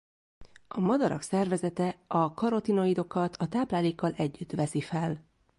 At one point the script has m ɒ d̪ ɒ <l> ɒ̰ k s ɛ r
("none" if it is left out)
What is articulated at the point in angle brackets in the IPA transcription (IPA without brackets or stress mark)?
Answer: ɾ